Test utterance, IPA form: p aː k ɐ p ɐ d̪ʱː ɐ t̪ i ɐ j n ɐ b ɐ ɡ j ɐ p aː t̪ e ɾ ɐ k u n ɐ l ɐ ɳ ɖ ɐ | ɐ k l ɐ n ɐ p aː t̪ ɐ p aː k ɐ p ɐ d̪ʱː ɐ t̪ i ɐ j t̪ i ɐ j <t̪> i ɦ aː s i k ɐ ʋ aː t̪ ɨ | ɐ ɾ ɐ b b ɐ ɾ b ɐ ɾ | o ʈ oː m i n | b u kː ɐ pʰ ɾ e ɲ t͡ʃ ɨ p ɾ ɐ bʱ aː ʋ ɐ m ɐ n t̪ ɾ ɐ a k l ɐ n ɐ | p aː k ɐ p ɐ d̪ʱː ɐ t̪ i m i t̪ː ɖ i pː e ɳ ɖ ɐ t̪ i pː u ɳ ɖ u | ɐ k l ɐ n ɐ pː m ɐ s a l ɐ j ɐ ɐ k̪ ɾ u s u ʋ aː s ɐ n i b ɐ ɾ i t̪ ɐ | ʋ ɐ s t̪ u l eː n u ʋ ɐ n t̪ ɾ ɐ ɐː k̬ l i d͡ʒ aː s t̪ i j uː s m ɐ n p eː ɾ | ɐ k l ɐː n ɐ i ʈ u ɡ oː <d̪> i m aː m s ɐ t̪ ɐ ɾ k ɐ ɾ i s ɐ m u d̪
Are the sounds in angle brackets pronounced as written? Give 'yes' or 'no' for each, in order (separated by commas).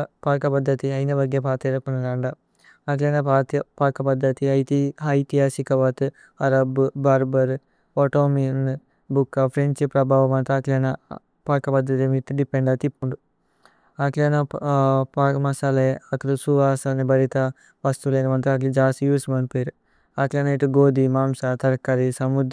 yes, yes